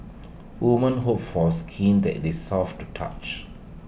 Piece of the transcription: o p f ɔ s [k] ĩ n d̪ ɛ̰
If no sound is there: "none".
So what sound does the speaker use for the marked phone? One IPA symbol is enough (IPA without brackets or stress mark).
kʰ